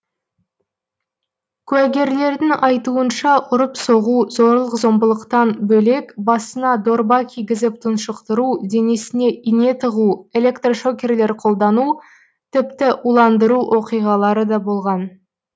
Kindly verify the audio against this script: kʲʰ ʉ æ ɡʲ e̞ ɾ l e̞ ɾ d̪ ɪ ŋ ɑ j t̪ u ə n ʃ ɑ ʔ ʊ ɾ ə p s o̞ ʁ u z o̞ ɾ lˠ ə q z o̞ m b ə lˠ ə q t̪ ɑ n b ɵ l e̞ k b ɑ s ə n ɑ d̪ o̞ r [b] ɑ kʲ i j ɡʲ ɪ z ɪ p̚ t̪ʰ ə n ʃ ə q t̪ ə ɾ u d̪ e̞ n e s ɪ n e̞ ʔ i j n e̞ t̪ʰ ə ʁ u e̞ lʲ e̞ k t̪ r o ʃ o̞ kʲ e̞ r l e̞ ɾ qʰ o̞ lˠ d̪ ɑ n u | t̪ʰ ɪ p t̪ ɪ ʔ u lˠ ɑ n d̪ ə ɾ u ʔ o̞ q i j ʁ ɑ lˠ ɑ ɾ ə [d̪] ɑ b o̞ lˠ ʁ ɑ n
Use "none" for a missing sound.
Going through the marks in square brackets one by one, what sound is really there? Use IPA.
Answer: b, d̪

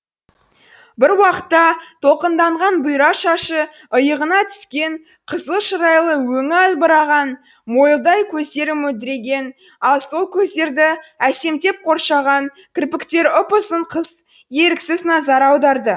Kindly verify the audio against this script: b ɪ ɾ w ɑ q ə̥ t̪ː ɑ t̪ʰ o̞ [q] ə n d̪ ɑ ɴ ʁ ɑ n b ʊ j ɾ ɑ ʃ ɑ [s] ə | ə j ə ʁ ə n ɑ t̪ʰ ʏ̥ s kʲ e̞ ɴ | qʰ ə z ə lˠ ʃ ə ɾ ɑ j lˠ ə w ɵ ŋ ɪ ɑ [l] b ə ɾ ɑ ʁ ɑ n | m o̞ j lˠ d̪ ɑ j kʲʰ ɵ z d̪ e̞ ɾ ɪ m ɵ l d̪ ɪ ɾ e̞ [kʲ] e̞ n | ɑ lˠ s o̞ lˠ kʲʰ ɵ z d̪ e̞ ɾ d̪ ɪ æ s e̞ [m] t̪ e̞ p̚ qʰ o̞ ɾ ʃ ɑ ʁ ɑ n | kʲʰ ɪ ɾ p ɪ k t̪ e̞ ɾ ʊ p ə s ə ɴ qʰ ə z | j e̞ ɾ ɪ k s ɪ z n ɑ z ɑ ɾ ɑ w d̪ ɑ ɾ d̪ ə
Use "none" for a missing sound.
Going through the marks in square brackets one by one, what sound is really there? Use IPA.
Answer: q, ʃ, l, ɡʲ, m

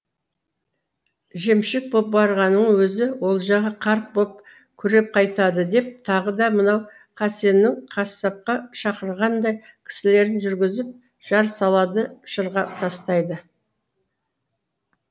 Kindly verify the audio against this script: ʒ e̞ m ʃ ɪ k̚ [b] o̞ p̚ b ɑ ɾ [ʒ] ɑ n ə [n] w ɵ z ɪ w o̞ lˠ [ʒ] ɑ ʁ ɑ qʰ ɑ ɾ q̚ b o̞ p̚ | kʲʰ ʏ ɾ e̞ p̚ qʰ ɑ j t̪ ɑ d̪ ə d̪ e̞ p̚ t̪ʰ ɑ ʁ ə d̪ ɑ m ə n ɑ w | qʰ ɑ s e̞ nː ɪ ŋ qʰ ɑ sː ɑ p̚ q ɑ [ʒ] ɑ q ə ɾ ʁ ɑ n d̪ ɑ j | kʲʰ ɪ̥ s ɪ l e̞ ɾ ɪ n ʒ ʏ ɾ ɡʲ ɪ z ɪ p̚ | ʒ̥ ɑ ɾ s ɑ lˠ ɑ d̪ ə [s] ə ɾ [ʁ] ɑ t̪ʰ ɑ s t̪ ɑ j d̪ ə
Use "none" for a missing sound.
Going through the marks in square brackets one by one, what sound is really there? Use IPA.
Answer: b, ʁ, ɴ, ʒ, ʃ, ʃ, ʁ

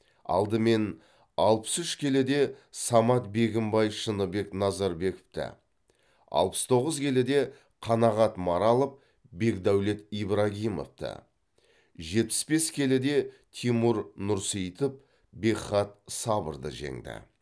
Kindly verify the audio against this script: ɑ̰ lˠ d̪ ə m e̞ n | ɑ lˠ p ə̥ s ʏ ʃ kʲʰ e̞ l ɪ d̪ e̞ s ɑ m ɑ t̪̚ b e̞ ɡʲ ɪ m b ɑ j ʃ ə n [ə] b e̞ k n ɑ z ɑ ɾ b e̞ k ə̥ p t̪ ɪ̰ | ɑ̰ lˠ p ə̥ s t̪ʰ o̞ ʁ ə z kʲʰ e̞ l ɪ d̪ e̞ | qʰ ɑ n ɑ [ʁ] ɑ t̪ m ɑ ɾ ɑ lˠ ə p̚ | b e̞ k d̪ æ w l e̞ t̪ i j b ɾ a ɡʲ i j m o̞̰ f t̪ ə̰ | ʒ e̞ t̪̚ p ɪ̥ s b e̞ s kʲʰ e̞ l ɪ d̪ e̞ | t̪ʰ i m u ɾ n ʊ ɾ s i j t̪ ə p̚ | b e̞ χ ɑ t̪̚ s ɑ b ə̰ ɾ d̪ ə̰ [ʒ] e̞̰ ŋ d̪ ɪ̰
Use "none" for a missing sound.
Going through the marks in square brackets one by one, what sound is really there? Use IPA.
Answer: ə, ʁ, ʒ

